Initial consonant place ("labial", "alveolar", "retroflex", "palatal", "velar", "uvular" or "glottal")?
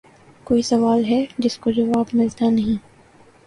velar